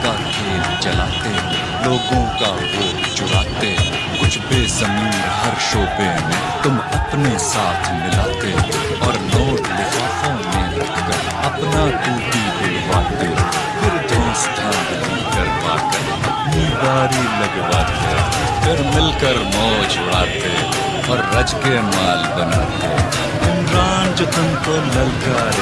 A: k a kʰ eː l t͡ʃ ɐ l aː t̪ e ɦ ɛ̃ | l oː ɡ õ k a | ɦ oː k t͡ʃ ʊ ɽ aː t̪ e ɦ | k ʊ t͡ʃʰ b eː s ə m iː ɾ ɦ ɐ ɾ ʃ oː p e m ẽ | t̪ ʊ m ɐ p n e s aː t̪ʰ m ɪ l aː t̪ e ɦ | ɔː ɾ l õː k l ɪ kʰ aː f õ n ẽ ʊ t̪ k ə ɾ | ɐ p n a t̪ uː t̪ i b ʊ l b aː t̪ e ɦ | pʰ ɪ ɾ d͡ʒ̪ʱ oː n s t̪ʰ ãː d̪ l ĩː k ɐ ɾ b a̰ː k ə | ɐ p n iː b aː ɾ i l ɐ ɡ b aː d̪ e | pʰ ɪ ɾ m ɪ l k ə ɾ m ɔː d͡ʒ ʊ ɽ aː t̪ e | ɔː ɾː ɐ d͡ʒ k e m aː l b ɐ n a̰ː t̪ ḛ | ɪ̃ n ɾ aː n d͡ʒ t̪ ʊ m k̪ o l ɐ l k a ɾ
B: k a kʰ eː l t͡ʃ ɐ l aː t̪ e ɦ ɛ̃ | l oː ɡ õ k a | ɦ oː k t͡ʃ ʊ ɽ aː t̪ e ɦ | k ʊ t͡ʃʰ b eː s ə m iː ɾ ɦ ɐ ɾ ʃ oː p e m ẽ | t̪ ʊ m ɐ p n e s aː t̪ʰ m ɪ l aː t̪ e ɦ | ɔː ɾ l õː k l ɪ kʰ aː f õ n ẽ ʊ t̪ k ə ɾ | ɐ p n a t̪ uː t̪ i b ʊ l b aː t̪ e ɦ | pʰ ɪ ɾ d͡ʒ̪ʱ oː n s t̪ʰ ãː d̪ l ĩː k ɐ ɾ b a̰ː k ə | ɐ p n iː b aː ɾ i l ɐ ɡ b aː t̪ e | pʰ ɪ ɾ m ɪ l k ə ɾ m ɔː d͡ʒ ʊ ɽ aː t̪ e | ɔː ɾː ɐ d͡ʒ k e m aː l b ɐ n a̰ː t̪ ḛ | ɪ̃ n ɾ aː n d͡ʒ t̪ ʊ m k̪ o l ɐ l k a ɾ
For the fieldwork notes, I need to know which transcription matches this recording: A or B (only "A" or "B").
B